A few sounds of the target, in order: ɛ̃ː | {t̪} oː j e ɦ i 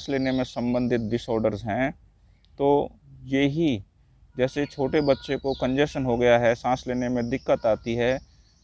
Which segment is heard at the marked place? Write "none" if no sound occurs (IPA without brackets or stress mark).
t̪